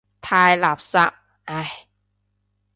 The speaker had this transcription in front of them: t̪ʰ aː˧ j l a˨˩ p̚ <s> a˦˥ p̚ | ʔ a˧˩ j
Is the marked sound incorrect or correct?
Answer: correct